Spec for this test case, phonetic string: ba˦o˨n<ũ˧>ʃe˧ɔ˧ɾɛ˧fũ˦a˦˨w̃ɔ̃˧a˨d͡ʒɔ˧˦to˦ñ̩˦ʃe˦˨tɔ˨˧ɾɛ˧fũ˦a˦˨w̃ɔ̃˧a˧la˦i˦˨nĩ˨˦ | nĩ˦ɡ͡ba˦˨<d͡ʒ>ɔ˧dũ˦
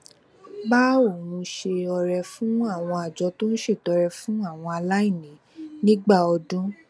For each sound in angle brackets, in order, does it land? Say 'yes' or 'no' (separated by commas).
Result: yes, no